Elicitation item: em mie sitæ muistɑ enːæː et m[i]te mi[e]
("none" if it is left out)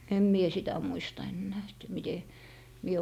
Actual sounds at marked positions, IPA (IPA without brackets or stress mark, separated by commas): i, e